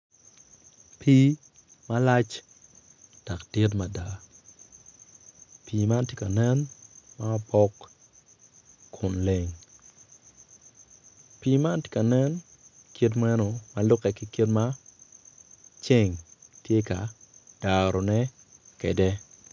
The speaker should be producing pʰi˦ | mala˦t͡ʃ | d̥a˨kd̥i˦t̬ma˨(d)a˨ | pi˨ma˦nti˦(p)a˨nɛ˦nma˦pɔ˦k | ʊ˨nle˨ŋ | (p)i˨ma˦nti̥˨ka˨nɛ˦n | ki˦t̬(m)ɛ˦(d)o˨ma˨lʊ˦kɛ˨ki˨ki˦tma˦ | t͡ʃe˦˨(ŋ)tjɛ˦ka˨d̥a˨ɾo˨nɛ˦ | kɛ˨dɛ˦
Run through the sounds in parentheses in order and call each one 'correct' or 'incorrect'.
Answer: correct, incorrect, correct, correct, incorrect, correct

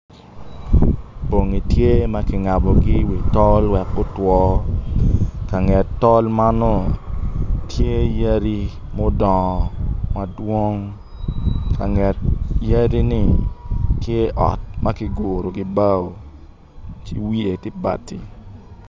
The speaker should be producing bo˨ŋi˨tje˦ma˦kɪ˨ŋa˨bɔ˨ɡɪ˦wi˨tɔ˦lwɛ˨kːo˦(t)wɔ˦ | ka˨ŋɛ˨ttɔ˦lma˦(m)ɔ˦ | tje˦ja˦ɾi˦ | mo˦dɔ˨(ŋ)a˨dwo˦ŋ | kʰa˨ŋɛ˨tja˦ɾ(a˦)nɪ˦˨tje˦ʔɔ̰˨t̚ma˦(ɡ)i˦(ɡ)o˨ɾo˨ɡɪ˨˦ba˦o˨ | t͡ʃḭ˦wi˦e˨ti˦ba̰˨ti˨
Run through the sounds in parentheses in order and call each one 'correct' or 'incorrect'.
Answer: correct, incorrect, incorrect, incorrect, incorrect, correct

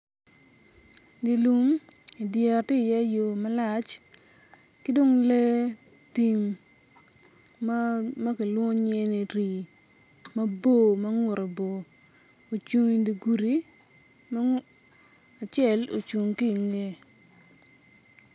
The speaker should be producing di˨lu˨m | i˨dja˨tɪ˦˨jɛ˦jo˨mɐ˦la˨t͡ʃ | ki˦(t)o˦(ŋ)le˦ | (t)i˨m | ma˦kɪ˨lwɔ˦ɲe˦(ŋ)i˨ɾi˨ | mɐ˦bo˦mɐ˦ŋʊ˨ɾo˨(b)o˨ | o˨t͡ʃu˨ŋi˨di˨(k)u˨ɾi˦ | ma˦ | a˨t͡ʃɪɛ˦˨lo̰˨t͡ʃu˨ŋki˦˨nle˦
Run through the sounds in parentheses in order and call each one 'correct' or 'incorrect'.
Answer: incorrect, correct, correct, incorrect, correct, incorrect

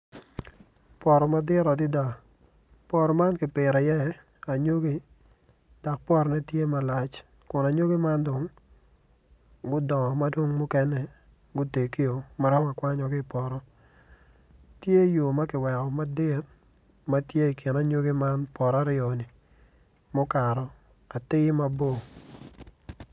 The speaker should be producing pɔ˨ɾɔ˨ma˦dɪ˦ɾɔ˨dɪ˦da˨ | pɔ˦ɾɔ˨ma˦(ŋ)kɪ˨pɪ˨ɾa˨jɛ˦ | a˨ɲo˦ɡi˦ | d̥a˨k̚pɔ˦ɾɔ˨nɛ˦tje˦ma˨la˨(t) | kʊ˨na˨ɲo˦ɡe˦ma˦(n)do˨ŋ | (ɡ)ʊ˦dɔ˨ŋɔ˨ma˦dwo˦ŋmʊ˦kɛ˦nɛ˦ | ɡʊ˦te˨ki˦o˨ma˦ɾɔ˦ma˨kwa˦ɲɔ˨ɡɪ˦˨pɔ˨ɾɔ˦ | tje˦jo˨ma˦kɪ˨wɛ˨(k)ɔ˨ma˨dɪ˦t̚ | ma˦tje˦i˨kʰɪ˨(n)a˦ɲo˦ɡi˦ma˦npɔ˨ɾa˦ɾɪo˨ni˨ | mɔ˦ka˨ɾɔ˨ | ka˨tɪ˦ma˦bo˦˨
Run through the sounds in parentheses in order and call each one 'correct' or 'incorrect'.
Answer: incorrect, incorrect, correct, correct, correct, correct

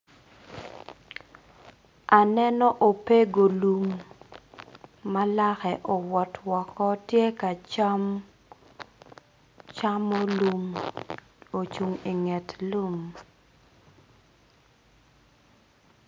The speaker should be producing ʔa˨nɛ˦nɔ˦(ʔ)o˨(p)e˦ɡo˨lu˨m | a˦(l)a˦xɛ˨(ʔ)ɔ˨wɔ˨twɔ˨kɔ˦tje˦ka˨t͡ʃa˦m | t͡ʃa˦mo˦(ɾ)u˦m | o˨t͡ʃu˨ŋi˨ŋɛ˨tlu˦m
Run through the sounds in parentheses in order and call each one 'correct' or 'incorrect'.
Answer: correct, correct, correct, correct, incorrect

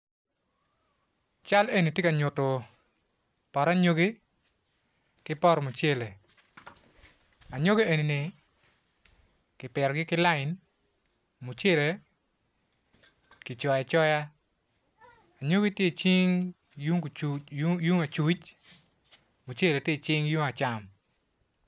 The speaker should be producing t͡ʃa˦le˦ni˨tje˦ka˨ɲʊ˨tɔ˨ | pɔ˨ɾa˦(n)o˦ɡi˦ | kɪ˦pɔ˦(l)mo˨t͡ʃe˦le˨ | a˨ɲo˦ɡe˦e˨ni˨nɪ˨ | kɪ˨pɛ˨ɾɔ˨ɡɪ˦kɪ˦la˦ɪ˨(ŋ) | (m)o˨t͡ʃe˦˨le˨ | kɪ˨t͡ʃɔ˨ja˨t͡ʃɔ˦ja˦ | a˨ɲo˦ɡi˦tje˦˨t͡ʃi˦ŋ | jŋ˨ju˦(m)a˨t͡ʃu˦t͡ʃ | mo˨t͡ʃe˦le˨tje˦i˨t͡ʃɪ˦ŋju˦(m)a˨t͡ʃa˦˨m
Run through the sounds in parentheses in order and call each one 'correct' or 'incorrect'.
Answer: incorrect, incorrect, incorrect, correct, incorrect, incorrect

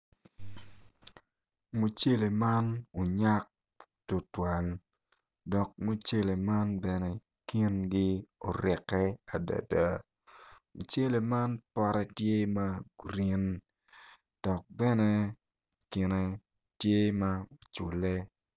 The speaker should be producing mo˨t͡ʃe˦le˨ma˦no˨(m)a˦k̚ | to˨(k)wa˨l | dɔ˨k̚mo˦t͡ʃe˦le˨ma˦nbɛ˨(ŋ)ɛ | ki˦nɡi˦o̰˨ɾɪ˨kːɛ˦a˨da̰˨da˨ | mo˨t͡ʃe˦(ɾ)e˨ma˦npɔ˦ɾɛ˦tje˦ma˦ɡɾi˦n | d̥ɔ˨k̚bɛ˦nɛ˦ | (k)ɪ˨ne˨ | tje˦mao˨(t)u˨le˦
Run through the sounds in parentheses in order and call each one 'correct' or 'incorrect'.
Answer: incorrect, incorrect, incorrect, incorrect, correct, incorrect

